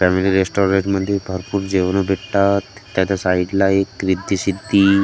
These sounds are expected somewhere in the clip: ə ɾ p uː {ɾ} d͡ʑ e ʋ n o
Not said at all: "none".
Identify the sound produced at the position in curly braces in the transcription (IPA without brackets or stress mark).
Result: ɾ